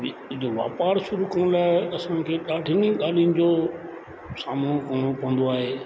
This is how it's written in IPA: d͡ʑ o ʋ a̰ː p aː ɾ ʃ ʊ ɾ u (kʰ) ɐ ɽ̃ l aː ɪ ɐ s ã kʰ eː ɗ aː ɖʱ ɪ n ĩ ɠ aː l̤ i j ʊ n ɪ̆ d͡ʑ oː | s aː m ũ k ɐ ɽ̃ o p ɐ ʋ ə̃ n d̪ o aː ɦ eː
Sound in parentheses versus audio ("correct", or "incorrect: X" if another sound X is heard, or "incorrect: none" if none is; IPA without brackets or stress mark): incorrect: k